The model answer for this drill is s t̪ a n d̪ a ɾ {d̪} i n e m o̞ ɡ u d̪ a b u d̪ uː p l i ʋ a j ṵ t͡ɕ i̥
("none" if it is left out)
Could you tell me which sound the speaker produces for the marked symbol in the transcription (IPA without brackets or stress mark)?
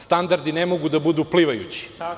d̪